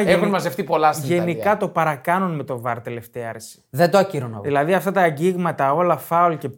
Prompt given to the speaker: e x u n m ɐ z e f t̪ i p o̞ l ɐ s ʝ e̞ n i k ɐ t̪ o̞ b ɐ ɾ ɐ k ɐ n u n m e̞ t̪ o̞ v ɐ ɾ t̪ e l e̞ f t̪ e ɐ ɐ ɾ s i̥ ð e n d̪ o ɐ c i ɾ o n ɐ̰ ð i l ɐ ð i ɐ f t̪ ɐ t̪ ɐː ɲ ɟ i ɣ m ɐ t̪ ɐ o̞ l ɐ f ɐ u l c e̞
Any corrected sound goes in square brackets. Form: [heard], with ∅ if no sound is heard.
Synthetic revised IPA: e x u n m ɐ z e f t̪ i p o̞ l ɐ s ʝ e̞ n i k ɐ t̪ o̞ [p] ɐ ɾ ɐ k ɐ n u n m e̞ t̪ o̞ v ɐ ɾ t̪ e l e̞ f t̪ e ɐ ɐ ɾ s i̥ ð e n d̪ o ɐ c i ɾ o n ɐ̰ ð i l ɐ ð i ɐ f t̪ ɐ t̪ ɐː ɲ ɟ i ɣ m ɐ t̪ ɐ o̞ l ɐ f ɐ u l c e̞